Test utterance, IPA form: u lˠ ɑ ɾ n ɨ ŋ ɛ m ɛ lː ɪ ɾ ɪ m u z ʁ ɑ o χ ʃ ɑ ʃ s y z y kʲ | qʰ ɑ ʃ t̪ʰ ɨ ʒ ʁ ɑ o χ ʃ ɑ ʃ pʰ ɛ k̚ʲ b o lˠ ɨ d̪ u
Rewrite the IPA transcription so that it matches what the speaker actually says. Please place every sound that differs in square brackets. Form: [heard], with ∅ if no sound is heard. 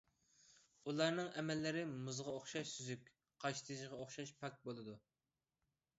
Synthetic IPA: u lˠ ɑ ɾ n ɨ ŋ ɛ m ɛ lː ɪ ɾ ɪ m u z ʁ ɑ o χ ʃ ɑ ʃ s y z y kʲ | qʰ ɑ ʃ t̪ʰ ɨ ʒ ʁ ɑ o χ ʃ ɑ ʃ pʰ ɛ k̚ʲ b o lˠ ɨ d̪ u